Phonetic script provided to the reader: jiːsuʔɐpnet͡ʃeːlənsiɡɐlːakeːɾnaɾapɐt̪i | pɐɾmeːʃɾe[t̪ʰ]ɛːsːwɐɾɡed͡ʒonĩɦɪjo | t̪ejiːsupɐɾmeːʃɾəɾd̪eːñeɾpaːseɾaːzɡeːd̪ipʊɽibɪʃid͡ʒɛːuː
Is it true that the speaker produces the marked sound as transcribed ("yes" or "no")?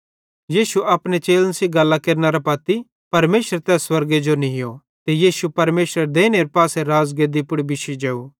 no